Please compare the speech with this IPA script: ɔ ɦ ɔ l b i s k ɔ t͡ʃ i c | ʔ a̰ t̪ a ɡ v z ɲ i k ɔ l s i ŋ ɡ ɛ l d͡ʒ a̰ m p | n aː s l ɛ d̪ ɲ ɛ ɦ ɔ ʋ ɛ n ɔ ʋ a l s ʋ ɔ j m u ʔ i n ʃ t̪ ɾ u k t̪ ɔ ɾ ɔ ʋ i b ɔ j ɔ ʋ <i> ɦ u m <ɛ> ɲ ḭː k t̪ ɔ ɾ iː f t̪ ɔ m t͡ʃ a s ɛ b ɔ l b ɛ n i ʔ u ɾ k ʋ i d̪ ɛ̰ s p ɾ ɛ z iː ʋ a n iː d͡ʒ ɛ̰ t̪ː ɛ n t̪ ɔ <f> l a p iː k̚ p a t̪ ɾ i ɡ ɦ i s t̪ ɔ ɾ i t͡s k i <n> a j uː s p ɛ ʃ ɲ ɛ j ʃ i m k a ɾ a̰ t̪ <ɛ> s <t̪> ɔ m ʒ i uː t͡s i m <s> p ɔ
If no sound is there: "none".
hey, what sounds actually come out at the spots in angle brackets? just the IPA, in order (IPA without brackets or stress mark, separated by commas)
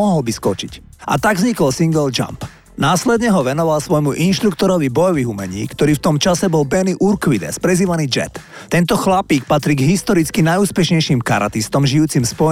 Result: i, ɛ, x, n, i, t̪, s